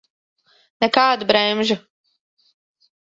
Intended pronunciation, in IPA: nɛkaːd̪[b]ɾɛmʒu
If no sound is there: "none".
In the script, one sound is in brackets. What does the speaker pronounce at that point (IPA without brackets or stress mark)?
b